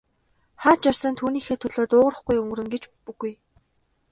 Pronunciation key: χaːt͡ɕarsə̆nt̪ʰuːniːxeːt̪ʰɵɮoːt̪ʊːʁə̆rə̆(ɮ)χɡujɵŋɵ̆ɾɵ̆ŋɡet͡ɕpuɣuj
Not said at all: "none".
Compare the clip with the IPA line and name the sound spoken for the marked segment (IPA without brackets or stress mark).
none